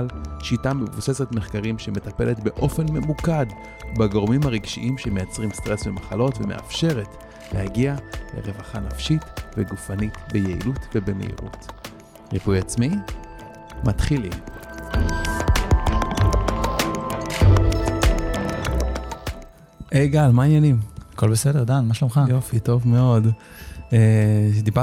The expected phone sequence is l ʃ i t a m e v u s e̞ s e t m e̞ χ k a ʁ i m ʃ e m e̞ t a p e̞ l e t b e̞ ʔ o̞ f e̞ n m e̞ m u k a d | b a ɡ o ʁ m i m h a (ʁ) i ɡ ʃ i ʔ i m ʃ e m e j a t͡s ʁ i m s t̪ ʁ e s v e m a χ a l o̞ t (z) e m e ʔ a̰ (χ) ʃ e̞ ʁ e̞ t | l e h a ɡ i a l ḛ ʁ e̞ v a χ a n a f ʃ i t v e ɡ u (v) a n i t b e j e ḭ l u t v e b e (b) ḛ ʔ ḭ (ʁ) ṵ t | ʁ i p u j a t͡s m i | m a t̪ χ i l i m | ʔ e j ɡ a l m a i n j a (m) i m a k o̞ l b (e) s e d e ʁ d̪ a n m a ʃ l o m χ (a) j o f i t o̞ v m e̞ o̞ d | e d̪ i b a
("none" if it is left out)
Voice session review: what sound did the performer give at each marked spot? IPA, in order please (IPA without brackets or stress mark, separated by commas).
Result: ʁ, v, f, f, m, ʁ, n, e, a